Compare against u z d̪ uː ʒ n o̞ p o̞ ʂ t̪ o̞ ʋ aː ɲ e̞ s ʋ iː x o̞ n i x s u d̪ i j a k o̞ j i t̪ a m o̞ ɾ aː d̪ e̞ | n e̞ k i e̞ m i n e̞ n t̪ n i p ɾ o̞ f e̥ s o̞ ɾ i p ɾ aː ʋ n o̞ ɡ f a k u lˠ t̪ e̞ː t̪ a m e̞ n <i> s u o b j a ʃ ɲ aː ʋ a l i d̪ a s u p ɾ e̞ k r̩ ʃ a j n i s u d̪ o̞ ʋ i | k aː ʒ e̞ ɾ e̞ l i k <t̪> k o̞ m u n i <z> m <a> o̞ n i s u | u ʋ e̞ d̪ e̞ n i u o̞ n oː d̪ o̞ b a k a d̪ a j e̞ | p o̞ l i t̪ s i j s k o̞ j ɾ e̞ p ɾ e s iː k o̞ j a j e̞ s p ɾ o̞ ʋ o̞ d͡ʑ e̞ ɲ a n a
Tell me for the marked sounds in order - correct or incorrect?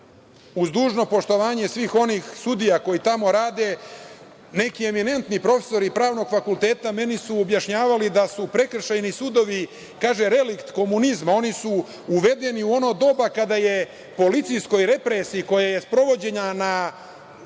correct, correct, correct, correct

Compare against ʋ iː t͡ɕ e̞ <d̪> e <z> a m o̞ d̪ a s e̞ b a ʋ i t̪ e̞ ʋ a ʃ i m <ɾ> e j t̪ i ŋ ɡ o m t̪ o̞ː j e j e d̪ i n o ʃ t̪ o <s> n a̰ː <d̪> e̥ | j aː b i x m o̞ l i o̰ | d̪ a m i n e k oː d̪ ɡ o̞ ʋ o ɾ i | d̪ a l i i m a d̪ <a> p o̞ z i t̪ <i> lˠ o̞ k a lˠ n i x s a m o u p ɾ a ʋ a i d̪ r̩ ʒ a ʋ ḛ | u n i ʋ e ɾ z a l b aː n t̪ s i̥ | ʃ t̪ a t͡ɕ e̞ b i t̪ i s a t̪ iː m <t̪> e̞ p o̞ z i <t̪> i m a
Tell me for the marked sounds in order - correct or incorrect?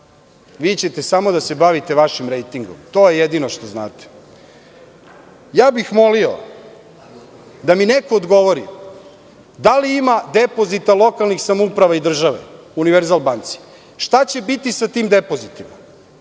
incorrect: t̪, incorrect: s, correct, incorrect: z, incorrect: t̪, incorrect: e, incorrect: a, incorrect: d̪, correct

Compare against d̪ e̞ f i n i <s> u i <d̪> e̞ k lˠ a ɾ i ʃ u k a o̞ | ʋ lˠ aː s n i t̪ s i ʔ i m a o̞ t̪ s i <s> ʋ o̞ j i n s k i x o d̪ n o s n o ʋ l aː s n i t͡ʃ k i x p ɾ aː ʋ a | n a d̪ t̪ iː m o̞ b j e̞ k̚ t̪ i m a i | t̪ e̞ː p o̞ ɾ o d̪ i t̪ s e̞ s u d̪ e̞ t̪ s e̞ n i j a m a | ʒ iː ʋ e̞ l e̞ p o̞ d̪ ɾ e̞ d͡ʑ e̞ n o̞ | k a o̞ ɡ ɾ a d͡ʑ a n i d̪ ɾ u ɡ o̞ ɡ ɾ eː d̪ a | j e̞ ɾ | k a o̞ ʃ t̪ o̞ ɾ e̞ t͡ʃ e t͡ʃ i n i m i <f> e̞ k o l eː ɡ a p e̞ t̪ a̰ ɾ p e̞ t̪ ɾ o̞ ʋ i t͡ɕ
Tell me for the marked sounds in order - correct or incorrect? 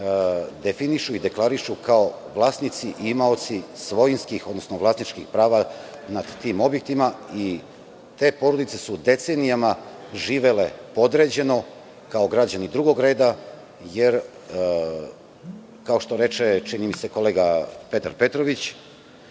incorrect: ʃ, correct, correct, incorrect: s

